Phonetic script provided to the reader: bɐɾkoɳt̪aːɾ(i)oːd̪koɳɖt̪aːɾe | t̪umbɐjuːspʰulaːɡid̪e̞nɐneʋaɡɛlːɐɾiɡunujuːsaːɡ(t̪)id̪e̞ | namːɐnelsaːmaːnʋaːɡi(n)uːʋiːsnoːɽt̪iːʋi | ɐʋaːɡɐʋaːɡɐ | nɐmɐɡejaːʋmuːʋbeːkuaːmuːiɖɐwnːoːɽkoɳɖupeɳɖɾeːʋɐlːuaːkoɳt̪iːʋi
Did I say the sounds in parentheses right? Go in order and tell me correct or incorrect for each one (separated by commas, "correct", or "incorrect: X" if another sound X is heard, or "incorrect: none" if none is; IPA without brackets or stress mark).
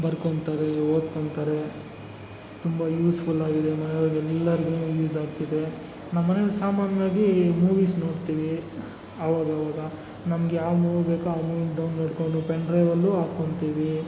incorrect: e, correct, incorrect: m